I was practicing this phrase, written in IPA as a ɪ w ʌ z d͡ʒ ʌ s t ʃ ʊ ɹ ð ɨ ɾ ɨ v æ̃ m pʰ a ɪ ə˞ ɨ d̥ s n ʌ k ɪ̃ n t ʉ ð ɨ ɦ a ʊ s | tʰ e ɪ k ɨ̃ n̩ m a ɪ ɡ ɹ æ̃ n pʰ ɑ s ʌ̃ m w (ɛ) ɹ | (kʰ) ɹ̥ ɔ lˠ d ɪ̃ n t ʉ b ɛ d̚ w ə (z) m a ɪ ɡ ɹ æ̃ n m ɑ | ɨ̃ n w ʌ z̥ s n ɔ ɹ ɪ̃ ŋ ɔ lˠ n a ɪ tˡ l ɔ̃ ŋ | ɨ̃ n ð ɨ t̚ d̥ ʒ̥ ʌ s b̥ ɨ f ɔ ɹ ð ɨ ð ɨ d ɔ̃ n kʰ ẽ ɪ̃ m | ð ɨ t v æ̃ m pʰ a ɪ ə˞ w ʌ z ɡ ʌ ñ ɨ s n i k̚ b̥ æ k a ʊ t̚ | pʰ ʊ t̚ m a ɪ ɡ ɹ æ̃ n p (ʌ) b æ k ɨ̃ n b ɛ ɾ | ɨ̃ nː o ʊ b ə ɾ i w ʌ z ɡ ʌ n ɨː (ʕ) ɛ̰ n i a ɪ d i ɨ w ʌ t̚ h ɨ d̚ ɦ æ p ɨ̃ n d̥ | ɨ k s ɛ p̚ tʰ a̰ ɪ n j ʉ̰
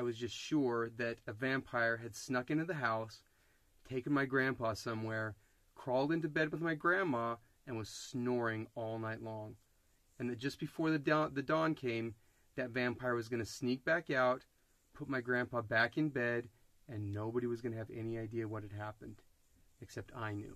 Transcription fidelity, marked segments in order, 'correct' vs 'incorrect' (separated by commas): correct, correct, incorrect, incorrect, incorrect